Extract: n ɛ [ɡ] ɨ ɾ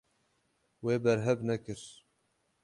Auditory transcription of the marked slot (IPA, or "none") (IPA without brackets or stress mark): k